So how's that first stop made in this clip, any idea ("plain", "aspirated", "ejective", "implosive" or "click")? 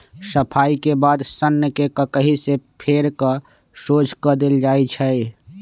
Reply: aspirated